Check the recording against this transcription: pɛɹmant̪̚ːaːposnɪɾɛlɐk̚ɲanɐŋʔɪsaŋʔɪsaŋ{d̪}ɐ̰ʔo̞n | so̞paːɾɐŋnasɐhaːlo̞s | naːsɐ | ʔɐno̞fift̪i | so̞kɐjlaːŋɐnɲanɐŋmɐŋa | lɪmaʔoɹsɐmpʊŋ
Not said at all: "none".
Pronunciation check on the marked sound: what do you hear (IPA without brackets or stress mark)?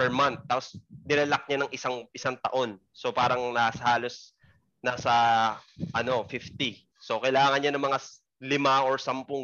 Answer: t̪